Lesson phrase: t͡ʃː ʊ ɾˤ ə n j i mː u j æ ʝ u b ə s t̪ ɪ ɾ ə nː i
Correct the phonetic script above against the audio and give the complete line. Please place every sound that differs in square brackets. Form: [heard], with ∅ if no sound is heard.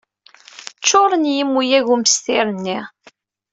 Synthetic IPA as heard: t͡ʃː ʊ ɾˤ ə n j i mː u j æ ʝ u [m] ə s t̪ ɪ ɾ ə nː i